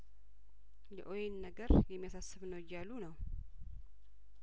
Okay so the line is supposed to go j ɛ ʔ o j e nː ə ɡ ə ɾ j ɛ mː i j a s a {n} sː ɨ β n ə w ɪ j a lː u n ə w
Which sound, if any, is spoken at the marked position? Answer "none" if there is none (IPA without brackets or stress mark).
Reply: none